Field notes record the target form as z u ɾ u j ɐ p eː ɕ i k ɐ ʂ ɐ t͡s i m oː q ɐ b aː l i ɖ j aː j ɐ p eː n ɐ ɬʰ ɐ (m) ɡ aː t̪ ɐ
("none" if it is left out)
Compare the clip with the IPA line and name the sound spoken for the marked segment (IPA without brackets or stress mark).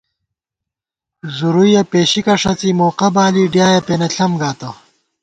m